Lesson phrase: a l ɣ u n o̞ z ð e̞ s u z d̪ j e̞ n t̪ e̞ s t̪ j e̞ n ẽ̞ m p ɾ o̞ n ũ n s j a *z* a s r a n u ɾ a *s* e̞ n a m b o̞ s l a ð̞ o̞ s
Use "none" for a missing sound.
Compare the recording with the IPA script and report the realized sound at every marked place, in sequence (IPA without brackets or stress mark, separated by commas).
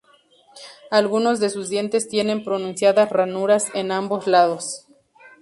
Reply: ð, s